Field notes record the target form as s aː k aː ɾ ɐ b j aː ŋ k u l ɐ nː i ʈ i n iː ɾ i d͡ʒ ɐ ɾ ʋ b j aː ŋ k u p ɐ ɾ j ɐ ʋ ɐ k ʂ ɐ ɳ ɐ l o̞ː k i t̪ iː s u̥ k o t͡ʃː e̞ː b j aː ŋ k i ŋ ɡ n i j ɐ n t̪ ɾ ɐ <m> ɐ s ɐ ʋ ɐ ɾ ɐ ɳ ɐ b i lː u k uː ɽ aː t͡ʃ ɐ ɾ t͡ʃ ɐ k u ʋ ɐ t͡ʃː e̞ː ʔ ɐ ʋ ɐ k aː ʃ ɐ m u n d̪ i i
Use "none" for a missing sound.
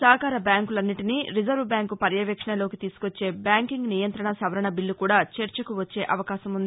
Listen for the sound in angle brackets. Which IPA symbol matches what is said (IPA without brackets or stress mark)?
ɳ